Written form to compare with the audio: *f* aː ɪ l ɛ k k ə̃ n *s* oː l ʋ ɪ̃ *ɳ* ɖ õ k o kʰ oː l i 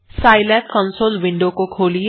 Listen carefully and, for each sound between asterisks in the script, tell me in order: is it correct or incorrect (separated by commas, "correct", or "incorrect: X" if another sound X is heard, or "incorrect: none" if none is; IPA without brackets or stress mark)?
incorrect: s, correct, correct